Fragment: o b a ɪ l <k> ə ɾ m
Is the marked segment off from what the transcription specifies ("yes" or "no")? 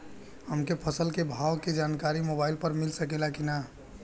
yes